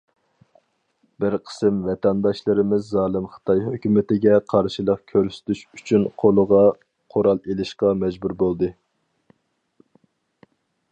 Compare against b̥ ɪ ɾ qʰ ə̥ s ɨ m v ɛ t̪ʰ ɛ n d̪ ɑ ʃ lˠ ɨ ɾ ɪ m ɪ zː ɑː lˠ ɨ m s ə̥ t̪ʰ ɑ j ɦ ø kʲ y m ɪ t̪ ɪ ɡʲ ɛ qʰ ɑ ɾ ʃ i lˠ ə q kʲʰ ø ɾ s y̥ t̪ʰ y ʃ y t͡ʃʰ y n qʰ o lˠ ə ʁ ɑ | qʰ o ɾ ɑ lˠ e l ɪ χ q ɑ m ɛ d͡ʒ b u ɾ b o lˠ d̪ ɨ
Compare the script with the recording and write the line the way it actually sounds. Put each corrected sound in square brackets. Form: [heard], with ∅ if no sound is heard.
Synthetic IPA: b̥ ɪ ɾ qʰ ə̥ s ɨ m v ɛ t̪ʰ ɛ n d̪ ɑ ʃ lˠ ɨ ɾ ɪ m ɪ zː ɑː lˠ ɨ m [χ] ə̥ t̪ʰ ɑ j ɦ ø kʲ y m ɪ t̪ ɪ ɡʲ ɛ qʰ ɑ ɾ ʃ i lˠ ə q kʲʰ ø ɾ s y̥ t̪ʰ y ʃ y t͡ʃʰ y n qʰ o lˠ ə ʁ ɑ | qʰ o ɾ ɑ lˠ e l ɪ [ʃ] q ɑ m ɛ d͡ʒ b u ɾ b o lˠ d̪ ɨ